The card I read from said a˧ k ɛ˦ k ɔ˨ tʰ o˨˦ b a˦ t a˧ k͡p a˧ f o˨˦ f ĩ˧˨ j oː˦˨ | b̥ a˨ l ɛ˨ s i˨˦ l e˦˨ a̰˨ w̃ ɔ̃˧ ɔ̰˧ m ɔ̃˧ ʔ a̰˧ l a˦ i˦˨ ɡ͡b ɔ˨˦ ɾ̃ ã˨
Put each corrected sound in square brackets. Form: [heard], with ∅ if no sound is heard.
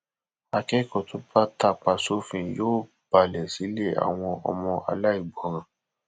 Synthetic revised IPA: a˧ k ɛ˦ k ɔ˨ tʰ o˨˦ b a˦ t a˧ k͡p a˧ [s] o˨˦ f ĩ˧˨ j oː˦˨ | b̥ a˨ l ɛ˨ s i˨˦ l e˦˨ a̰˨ w̃ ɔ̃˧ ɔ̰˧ m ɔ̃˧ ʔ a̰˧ l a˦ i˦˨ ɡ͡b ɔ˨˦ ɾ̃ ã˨